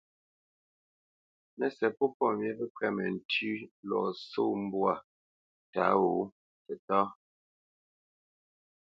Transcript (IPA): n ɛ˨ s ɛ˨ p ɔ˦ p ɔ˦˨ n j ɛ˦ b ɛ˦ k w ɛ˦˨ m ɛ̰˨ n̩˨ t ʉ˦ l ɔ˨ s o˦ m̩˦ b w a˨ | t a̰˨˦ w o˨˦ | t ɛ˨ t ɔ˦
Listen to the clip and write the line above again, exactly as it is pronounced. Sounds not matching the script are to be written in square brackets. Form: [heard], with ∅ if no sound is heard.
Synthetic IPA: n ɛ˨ s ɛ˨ p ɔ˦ p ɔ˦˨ [m] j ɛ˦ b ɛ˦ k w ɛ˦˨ m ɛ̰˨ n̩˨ t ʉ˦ l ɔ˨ s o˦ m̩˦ b w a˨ | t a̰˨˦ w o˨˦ | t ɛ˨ t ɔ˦